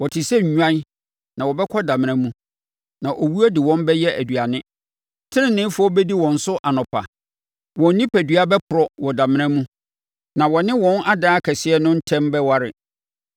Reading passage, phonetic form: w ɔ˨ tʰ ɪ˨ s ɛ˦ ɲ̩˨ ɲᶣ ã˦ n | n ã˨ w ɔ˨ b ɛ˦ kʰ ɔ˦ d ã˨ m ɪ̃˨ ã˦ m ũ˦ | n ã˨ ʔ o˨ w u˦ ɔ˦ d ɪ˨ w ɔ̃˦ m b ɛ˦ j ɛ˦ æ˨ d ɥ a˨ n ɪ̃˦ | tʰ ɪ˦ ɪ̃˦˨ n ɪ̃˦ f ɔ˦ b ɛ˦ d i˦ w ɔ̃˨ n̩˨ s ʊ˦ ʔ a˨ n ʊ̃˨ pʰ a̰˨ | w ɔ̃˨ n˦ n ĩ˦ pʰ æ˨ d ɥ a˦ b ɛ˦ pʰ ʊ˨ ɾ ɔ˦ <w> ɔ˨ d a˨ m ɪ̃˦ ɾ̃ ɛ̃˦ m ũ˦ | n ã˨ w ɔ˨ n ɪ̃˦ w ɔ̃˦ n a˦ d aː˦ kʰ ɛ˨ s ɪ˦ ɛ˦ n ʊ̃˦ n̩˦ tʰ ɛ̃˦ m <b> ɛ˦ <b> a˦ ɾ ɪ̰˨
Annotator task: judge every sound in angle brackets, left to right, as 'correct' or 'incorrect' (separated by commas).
correct, correct, incorrect